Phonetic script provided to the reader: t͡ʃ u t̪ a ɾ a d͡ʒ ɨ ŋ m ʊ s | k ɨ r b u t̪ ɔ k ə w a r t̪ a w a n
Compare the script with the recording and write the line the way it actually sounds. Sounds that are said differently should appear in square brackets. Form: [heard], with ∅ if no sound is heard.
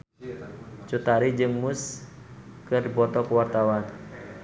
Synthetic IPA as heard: t͡ʃ u t̪ a ɾ [i] d͡ʒ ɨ ŋ m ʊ s | k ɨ r b [ɔ] t̪ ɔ k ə w a r t̪ a w a n